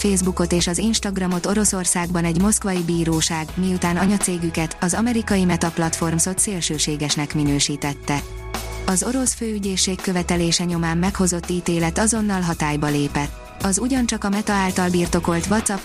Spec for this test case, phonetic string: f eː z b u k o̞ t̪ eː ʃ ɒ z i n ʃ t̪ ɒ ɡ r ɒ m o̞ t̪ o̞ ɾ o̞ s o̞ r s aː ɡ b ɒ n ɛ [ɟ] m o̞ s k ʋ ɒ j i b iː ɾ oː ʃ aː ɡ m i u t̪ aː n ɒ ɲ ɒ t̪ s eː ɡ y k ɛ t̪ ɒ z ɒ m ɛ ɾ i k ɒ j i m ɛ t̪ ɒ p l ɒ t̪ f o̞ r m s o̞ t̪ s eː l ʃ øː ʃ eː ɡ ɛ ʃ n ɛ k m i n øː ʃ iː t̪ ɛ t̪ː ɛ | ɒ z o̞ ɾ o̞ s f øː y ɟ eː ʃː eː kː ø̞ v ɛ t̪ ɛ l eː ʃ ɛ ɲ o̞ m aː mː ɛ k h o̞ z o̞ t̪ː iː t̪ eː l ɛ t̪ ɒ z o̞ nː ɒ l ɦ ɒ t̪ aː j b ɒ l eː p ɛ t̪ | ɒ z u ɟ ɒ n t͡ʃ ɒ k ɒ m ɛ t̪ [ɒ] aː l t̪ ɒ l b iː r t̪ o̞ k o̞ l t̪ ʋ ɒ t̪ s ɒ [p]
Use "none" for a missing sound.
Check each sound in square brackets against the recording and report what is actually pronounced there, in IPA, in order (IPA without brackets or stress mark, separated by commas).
ɟ, ɒ, p